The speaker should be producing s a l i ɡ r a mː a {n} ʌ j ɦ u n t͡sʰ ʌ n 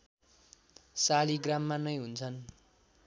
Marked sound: correct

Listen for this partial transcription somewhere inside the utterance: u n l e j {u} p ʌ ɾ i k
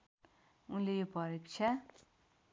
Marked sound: incorrect: o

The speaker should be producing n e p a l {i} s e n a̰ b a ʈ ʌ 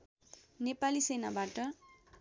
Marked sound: correct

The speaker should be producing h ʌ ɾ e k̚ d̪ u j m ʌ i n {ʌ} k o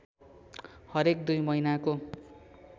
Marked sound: incorrect: a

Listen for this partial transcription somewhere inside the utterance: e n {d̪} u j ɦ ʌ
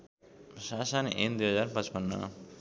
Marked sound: correct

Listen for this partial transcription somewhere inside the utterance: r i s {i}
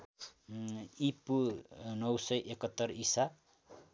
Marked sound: incorrect: a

